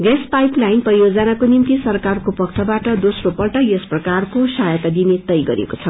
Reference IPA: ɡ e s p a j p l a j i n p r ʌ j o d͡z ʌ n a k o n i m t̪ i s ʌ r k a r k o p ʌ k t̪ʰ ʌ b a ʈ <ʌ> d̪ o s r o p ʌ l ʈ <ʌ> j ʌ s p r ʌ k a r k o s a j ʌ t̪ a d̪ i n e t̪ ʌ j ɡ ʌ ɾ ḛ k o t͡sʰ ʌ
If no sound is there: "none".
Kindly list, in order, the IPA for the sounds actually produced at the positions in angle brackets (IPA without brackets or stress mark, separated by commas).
ʌ, ʌ